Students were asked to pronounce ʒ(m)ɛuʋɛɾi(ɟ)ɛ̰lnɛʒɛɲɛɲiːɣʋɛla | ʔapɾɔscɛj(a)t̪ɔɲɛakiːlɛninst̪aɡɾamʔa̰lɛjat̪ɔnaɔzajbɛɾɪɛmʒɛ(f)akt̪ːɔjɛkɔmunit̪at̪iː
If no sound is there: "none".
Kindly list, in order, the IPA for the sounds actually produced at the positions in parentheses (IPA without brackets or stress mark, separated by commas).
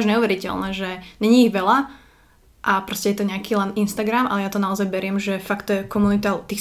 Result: ɲ, c, ɛ, f